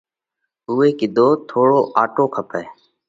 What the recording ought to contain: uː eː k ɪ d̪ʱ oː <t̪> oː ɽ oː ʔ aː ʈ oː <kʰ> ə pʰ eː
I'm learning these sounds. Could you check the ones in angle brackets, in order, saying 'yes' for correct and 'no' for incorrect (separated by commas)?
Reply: no, yes